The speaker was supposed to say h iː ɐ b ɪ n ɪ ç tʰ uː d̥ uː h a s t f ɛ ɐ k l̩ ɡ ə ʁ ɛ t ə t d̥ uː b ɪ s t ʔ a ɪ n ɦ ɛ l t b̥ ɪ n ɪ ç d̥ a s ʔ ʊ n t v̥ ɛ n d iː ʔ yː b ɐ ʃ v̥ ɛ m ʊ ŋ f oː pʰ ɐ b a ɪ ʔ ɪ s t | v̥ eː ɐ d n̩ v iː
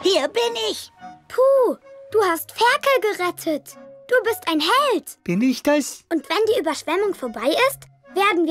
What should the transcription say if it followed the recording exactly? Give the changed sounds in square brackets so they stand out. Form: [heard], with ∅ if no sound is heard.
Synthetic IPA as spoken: h iː ɐ b ɪ n ɪ ç [pʰ] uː d̥ uː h a s t f ɛ ɐ k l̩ ɡ ə ʁ ɛ [tʰ] ə t d̥ uː b ɪ s t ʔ a ɪ n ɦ ɛ l t b̥ ɪ n ɪ ç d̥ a s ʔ ʊ n t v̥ ɛ n d iː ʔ yː b ɐ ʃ v̥ ɛ m ʊ ŋ f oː [∅] ɐ b a ɪ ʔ ɪ s t | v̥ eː ɐ d n̩ v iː

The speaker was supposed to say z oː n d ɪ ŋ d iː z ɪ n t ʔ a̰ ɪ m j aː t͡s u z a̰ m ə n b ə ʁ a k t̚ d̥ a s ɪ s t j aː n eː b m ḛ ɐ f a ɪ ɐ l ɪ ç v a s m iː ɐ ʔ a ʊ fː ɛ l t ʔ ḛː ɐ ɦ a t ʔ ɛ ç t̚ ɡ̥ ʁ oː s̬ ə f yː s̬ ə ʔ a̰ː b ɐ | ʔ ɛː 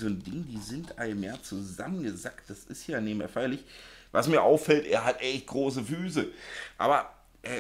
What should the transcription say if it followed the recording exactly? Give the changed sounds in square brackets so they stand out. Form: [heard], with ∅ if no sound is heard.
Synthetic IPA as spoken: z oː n d ɪ ŋ d iː z ɪ n t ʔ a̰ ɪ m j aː t͡s u z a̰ m ə n [ɡ] ə [z] a k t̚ d̥ a s ɪ s t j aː n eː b m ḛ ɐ f a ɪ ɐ l ɪ ç v a s m iː ɐ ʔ a ʊ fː ɛ l t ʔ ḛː ɐ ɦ a t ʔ ɛ ç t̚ ɡ̥ ʁ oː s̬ ə f yː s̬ ə ʔ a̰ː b ɐ | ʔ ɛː

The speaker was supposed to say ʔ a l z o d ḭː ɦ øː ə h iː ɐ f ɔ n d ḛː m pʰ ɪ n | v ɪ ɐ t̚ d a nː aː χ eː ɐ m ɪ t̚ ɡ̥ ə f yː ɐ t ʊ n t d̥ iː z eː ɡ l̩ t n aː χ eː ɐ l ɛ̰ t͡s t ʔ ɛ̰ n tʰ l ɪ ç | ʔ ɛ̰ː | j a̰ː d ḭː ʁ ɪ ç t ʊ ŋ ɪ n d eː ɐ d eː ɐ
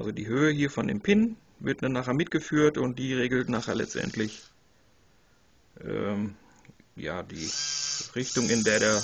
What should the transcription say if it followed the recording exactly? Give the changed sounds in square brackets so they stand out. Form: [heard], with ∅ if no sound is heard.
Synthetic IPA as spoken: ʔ a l z o d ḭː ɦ øː ə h iː ɐ f ɔ n d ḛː m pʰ ɪ n | v ɪ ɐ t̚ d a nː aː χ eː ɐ m ɪ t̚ ɡ̥ ə f yː ɐ t ʊ n t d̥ iː [ʁ] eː ɡ l̩ t n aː χ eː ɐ l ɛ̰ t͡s t ʔ ɛ̰ n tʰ l ɪ ç | ʔ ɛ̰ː | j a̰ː d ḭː ʁ ɪ ç t ʊ ŋ ɪ n d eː ɐ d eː ɐ

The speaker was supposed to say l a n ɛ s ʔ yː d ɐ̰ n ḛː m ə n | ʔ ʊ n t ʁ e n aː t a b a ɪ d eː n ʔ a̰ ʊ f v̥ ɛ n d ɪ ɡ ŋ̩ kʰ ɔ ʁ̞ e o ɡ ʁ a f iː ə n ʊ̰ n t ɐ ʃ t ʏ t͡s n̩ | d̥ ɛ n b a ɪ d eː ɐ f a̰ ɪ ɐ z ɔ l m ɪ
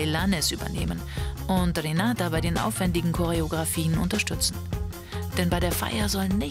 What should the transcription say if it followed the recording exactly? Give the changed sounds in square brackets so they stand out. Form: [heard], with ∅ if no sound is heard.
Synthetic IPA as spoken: l a n ɛ s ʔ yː [b] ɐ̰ n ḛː m ə n | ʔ ʊ n t ʁ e n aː t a b a ɪ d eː n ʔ a̰ ʊ f v̥ ɛ n d ɪ ɡ ŋ̩ kʰ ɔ ʁ̞ e o ɡ ʁ a f iː ə n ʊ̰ n t ɐ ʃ t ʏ t͡s n̩ | d̥ ɛ n b a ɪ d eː ɐ f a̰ ɪ ɐ z ɔ l [n] ɪ

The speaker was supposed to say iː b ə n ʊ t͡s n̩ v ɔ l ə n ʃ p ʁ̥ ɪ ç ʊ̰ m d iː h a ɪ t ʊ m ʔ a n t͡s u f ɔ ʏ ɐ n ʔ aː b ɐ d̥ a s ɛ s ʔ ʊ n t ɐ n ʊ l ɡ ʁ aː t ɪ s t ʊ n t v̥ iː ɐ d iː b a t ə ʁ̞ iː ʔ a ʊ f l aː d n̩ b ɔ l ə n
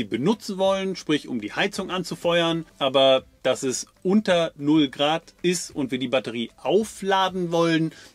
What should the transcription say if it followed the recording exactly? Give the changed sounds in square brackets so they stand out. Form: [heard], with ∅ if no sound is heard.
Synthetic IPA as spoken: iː b ə n ʊ t͡s n̩ v ɔ l ə n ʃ p ʁ̥ ɪ ç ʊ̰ m d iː h a ɪ [t͡s] ʊ [ŋ] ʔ a n t͡s u f ɔ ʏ ɐ n ʔ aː b ɐ d̥ a s ɛ s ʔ ʊ n t ɐ n ʊ l ɡ ʁ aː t ɪ s t ʊ n t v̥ iː ɐ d iː b a t ə ʁ̞ iː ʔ a ʊ f l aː d n̩ [v] ɔ l ə n

